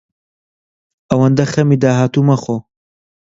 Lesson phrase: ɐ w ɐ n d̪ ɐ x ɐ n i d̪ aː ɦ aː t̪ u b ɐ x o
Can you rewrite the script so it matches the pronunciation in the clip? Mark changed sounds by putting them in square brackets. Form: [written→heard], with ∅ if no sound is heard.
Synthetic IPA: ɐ w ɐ n d̪ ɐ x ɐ [n→m] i d̪ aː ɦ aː t̪ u [b→m] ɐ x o